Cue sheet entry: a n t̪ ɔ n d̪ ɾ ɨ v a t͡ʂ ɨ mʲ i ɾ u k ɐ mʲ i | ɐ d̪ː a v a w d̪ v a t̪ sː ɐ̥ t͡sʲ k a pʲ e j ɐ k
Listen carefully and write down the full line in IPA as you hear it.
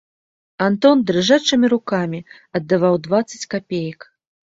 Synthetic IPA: a n t̪ ɔ n d̪ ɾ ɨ ʐ a t͡ʂ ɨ mʲ i ɾ u k a mʲ i | ɐ d̪ː a v a w d̪ v a t̪ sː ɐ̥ t͡sʲ k a pʲ e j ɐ k